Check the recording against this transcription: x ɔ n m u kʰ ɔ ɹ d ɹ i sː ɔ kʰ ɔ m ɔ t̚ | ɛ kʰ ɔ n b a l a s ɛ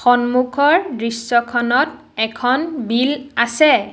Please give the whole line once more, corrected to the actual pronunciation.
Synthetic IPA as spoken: x ɔ n m u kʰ ɔ ɹ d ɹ i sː ɔ kʰ ɔ n ɔ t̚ | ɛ kʰ ɔ n b i l a s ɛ